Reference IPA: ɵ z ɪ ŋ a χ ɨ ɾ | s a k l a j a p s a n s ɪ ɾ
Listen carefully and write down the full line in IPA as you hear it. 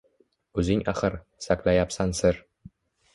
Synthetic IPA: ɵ z ɪ ŋ a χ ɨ ɾ | s a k l a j a p s a n s ɪ ɾ